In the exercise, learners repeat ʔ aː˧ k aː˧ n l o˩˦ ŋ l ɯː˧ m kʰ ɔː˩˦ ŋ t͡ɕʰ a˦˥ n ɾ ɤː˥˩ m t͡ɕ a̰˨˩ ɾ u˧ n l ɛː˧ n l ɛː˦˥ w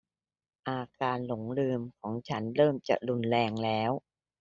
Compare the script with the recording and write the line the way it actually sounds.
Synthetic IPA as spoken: ʔ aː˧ k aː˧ n l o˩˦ ŋ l ɯː˧ m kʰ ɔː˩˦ ŋ t͡ɕʰ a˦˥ n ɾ ɤː˥˩ m t͡ɕ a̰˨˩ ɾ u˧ n l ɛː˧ ŋ l ɛː˦˥ w